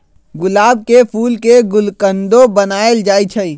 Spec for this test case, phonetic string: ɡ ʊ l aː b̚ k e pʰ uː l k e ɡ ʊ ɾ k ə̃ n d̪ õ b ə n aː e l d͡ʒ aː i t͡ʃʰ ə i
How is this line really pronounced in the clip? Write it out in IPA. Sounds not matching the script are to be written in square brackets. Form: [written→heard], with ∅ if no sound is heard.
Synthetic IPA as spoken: ɡ ʊ l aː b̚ k e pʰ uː l k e ɡ ʊ [ɾ→l] k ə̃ n d̪ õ b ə n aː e l d͡ʒ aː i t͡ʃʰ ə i